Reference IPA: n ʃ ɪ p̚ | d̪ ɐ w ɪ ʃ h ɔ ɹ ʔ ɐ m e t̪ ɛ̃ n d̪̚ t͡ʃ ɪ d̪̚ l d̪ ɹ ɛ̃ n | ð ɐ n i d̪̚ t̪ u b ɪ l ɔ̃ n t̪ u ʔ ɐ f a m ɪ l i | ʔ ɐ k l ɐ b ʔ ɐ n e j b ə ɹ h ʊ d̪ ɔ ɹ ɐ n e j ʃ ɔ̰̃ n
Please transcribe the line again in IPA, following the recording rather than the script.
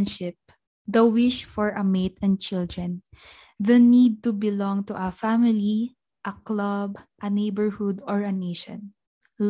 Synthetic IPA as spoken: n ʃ ɪ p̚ | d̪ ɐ w ɪ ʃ f ɔ ɹ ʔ ɐ m e t̪ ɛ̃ n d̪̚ t͡ʃ ɪ l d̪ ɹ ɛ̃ n | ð ɐ n i d̪̚ t̪ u b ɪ l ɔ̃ ŋ t̪ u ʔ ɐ f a m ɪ l i | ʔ ɐ k l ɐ b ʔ ɐ n e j b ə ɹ h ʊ d̪ ɔ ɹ ɐ n e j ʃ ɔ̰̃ n